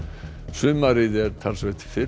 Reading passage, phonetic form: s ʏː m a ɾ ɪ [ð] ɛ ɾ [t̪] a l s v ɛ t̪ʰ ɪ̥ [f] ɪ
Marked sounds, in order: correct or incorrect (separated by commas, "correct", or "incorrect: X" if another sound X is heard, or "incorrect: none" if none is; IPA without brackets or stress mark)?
correct, incorrect: t̪ʰ, correct